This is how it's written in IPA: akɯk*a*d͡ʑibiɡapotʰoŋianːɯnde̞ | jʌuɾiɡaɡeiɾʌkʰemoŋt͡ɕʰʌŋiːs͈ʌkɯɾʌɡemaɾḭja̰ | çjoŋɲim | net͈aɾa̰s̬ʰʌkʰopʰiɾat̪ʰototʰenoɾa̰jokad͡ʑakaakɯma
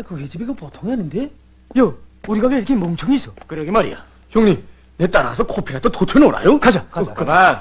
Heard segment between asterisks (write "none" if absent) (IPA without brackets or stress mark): e